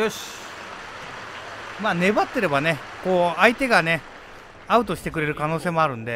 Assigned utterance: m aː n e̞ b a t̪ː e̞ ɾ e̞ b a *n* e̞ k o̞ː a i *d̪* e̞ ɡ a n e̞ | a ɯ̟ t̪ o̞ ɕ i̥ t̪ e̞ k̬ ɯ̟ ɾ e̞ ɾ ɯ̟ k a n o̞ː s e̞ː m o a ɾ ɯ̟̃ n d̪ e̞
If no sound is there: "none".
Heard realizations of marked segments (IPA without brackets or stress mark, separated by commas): n, t̪